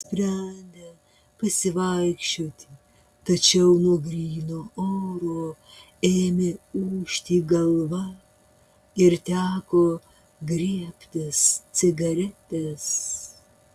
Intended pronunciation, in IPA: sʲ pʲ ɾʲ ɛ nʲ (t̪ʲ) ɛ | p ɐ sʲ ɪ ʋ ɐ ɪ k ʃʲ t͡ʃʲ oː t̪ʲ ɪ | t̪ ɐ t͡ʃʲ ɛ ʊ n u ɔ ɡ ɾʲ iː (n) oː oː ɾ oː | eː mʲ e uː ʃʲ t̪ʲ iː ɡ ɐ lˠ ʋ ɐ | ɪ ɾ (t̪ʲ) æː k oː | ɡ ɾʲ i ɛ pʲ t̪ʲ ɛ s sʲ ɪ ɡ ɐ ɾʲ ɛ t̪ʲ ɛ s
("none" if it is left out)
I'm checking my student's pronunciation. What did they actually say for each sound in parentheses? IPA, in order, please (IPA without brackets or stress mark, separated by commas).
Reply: d̪ʲ, n, t̪ʲ